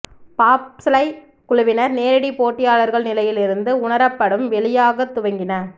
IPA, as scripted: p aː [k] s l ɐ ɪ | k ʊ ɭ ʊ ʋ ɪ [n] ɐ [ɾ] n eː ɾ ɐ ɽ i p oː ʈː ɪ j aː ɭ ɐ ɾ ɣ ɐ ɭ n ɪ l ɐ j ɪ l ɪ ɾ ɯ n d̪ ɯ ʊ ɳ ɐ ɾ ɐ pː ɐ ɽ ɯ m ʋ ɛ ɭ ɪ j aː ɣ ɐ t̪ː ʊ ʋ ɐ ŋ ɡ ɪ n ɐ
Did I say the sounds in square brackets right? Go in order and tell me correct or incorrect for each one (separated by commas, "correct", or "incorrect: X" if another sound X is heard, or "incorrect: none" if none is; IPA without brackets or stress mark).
incorrect: p, correct, correct